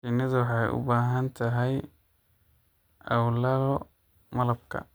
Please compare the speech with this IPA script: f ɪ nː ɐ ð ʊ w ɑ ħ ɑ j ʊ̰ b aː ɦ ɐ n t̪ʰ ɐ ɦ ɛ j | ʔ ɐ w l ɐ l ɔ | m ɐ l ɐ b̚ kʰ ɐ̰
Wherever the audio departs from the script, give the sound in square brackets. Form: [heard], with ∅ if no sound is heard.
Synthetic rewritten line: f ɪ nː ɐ ð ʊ w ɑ ħ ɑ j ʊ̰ b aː ɦ ɐ n t̪ʰ ɐ ɦ ɛ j | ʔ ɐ w l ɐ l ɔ | m ɐ l ɐ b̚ kʰ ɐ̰